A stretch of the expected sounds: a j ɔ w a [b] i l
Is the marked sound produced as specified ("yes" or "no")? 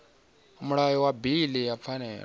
yes